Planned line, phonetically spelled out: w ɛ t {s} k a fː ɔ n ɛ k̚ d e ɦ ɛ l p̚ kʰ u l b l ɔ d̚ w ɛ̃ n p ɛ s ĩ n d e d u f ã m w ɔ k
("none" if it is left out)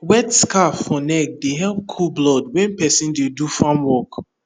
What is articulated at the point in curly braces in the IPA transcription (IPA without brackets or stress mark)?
s